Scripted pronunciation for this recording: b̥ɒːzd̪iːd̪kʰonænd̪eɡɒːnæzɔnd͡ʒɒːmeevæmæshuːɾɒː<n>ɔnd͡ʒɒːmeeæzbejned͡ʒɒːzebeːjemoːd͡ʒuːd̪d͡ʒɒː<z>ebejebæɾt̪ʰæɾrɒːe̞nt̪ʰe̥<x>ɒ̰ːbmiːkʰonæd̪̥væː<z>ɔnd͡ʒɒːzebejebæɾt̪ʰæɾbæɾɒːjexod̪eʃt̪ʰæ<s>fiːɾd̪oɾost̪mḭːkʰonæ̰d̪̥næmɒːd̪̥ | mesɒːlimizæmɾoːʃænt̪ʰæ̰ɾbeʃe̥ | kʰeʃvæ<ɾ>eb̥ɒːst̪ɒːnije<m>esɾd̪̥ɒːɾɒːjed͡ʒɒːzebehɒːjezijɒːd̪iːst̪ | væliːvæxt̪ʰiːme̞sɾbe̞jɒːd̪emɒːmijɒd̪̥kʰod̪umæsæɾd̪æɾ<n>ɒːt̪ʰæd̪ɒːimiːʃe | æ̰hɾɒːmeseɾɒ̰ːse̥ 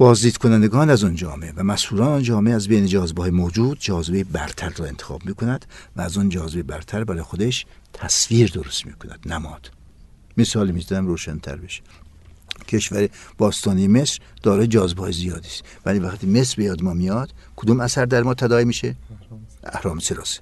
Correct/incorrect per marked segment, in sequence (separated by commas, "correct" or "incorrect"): correct, correct, correct, correct, correct, correct, correct, incorrect